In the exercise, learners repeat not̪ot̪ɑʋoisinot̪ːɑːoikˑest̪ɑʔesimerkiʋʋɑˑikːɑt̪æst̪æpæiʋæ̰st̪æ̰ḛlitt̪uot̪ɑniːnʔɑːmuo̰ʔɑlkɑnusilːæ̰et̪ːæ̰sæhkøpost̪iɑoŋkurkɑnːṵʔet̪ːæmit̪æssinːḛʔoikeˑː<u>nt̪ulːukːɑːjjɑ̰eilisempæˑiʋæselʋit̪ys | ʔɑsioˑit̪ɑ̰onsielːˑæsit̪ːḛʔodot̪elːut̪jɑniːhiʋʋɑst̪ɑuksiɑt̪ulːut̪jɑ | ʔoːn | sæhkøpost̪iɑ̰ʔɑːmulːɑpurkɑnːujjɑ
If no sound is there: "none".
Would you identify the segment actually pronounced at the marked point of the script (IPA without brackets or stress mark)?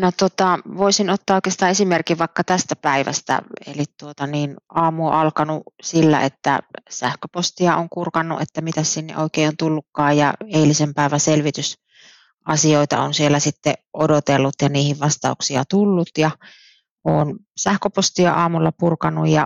o